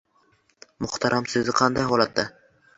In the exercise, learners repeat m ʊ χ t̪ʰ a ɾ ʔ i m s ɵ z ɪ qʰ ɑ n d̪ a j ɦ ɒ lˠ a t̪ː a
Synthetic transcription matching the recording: m ʊ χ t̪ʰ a ɾ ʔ a m s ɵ z ɪ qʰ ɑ n d̪ a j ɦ ɒ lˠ a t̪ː a